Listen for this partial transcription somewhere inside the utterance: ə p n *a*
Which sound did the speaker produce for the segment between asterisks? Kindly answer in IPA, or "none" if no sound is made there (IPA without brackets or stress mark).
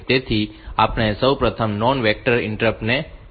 e